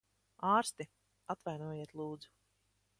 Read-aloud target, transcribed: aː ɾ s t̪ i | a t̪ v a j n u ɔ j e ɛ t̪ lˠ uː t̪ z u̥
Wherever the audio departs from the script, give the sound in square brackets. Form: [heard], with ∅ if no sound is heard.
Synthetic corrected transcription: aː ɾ s t̪ i | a t̪ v a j n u ɔ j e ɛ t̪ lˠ uː [d̪] z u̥